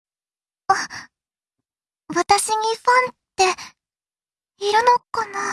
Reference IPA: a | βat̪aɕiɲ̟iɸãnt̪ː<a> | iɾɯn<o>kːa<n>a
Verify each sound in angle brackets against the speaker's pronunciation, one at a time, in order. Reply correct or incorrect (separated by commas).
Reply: incorrect, correct, correct